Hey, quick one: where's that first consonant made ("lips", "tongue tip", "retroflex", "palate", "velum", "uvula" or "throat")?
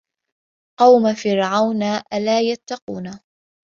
uvula